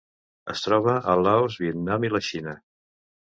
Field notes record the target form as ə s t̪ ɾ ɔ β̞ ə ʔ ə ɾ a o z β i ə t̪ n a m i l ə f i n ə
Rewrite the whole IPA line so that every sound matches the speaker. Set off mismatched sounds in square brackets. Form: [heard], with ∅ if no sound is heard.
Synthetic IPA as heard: ə s t̪ ɾ ɔ β̞ ə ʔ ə [l] a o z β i ə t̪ n a m i l ə [ʃ] i n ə